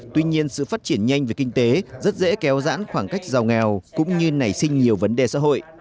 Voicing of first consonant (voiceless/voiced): voiceless